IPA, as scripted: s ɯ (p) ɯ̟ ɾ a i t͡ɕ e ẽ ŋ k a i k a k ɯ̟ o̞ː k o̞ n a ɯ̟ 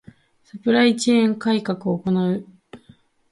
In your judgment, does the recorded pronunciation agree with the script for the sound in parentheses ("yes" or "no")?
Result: yes